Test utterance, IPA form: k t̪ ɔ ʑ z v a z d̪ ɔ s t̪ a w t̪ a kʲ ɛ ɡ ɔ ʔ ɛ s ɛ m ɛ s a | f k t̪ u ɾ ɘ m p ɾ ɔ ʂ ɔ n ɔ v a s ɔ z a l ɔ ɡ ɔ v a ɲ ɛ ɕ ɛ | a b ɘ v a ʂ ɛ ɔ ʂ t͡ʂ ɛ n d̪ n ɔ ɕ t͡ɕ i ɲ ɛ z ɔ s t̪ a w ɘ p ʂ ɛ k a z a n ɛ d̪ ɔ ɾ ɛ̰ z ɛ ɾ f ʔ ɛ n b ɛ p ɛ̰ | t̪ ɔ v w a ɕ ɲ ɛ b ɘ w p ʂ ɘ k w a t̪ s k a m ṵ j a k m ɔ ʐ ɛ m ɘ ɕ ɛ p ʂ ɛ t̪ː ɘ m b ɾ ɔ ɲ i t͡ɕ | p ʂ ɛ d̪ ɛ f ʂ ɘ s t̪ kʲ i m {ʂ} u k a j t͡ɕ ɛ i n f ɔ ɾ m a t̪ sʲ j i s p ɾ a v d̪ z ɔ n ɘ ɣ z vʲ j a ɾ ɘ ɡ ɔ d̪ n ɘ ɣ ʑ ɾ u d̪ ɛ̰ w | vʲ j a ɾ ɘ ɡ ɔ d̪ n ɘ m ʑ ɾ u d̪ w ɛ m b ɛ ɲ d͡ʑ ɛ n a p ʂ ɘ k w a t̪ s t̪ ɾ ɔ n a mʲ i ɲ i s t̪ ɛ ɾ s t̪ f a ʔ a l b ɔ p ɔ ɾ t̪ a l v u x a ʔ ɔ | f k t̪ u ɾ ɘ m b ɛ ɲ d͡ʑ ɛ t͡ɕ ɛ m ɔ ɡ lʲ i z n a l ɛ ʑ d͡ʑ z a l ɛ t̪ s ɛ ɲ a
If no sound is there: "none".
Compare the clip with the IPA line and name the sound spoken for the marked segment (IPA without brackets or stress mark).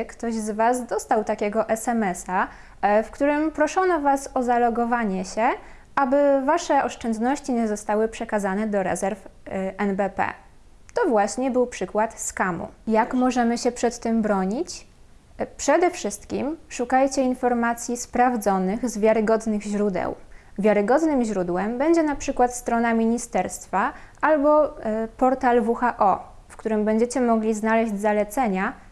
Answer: ʂ